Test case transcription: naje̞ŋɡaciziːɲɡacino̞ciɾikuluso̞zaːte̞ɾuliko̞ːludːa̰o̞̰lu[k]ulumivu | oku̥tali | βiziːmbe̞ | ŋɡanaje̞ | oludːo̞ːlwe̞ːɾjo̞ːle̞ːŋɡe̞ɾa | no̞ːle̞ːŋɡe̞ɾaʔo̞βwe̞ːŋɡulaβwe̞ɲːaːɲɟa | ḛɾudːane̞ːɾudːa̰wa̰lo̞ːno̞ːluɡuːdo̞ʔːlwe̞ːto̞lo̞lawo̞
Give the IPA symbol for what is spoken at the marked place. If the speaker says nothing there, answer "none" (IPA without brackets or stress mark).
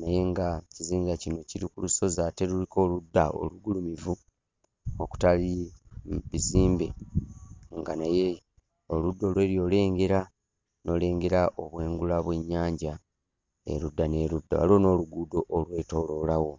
ɡ